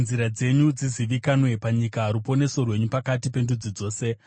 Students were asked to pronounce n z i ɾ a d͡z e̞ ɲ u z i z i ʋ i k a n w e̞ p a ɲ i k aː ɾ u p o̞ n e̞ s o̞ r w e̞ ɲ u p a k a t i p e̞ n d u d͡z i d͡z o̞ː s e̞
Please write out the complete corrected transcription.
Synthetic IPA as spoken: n z i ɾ a d͡z e̞ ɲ u d͡z i z i ʋ i k a n w e̞ p a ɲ i k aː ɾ u p o̞ n e̞ s o̞ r w e̞ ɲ u p a k a t i p e̞ n d u d͡z i d͡z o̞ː s e̞